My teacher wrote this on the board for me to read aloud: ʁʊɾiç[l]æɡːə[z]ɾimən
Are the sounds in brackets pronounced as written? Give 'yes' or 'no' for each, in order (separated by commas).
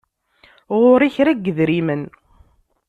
no, no